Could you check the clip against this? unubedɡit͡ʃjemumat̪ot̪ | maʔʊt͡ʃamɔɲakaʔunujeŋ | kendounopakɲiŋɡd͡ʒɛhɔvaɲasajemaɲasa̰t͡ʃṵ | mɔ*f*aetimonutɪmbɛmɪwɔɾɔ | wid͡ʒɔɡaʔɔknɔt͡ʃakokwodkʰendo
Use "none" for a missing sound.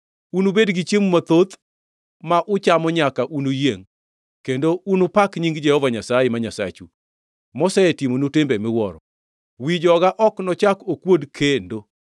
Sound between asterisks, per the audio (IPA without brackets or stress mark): s